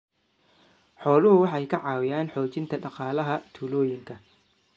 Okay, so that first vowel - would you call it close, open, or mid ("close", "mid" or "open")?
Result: mid